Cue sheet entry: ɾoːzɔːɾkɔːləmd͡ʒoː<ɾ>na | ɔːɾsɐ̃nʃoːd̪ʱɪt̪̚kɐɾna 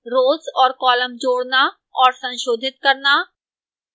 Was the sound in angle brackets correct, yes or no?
no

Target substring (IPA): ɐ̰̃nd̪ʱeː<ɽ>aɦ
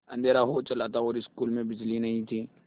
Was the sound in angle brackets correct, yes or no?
no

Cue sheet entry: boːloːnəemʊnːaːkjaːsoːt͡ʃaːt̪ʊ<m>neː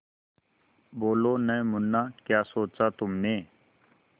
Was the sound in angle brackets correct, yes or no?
yes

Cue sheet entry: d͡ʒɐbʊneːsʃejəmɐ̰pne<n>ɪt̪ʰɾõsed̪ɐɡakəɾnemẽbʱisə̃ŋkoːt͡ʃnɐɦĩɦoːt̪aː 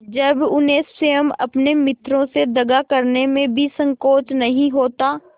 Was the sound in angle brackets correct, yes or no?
no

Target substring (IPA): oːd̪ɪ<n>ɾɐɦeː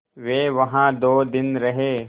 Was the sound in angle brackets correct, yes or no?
yes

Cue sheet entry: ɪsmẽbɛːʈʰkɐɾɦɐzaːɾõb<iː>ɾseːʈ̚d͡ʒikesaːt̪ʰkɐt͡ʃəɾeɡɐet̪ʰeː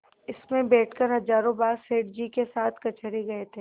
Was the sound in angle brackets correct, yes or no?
no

